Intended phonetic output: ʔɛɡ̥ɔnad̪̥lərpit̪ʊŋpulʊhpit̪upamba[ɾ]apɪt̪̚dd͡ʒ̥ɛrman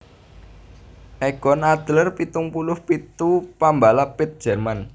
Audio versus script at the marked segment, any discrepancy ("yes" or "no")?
yes